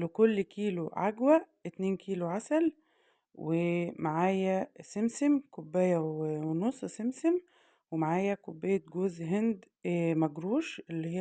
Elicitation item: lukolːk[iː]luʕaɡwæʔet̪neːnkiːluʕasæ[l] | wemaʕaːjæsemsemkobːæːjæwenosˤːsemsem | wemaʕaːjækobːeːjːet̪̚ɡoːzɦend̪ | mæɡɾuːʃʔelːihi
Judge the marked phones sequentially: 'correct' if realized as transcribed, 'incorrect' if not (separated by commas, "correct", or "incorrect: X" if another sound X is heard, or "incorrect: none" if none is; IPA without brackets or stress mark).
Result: correct, correct